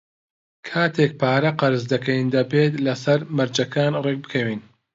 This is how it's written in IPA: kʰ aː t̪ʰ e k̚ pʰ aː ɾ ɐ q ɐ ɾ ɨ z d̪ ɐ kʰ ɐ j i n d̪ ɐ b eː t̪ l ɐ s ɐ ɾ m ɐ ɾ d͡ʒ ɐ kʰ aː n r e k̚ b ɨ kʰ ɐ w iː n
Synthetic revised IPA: kʰ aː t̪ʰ e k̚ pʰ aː ɾ ɐ q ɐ ɾ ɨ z d̪ ɐ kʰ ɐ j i n d̪ ɐ b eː t̪ l ɐ s ɐ ɾ m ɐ ɾ d͡ʒ ɐ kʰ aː n r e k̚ b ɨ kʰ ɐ w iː n

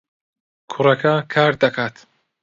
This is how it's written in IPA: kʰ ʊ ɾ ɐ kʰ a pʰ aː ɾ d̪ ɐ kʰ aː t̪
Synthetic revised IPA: kʰ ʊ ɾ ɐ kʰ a kʰ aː ɾ d̪ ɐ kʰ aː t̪

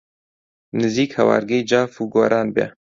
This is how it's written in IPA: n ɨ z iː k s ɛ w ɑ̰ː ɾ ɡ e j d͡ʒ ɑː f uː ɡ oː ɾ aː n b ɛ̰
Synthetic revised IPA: n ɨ z iː k h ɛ w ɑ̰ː ɾ ɡ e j d͡ʒ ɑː f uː ɡ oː ɾ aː n b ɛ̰

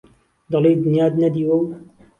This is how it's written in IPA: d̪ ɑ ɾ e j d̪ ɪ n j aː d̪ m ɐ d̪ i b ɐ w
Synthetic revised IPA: d̪ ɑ l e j d̪ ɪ n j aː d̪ n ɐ d̪ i w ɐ w

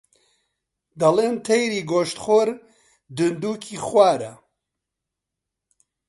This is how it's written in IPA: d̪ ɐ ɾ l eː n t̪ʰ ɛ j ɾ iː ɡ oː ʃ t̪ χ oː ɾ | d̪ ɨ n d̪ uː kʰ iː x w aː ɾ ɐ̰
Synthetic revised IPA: d̪ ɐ l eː n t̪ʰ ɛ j ɾ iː ɡ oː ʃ t̪ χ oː ɾ | d̪ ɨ n d̪ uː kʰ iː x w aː ɾ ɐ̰

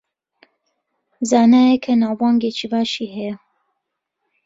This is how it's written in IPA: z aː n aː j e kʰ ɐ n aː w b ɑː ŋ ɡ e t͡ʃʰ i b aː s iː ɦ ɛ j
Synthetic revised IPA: z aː n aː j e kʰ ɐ n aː w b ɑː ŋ ɡ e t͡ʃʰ i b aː ʃ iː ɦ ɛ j

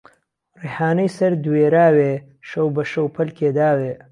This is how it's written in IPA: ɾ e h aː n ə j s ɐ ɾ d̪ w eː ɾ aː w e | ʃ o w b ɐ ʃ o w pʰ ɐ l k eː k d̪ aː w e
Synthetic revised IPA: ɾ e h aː n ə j s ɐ ɾ d̪ w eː ɾ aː w e | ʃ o w b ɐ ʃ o w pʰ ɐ l k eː d̪ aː w e

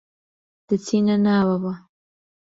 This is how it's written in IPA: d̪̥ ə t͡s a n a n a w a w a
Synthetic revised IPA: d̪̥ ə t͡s i n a n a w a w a

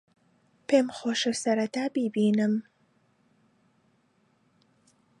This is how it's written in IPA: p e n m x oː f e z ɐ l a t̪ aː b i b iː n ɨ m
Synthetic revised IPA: p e m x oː ʃ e s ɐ ɾ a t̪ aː b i b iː n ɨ m

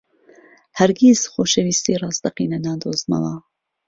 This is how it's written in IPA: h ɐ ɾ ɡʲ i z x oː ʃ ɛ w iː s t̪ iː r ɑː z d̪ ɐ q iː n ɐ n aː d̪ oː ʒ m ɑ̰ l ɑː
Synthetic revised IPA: h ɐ ɾ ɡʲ i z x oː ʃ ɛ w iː s t̪ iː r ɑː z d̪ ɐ q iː n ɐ n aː d̪ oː z m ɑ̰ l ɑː

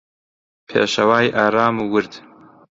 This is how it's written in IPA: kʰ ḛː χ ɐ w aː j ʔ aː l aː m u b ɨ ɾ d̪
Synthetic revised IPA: pʰ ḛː ʃ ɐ w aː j ʔ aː ɾ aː m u w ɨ ɾ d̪

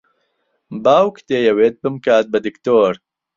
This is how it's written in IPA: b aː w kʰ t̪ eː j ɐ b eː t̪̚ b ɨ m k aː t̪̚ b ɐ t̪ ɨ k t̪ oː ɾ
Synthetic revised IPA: b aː w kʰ t̪ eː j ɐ w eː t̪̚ b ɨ m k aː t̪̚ b ɐ d̪ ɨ k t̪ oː ɾ

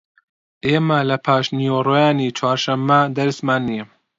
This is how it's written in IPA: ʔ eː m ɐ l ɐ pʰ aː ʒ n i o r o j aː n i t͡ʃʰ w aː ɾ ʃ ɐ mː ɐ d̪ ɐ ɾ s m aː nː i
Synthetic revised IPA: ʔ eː m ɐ l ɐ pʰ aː ʃ n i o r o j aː n i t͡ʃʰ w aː ɾ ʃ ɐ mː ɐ d̪ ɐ ɾ s m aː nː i

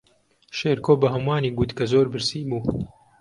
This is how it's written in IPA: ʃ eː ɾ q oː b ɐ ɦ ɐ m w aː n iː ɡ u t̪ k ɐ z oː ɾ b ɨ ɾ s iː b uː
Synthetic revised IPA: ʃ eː ɾ k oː b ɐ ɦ ɐ m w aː n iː ɡ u t̪ k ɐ z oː ɾ b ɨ ɾ s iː b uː

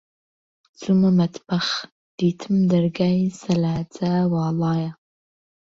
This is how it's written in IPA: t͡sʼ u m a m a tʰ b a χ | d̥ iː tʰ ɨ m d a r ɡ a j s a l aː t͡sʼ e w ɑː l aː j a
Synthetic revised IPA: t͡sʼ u m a m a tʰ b a χ | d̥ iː tʰ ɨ m d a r ɡ a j s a l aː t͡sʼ a w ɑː l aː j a

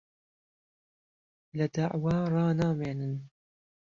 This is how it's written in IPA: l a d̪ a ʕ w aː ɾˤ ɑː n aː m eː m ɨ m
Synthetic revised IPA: l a d̪ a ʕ w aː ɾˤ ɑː n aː m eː n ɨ n

